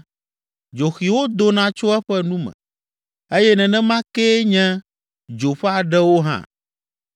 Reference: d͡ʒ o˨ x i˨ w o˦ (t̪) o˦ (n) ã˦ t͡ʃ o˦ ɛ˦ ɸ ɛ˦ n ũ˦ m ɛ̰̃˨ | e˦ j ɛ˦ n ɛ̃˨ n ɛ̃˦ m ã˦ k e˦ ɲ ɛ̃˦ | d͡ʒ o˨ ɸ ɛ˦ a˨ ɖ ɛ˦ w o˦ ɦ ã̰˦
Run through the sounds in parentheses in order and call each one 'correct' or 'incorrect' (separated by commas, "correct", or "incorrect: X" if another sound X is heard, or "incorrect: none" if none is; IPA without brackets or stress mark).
incorrect: d̪, correct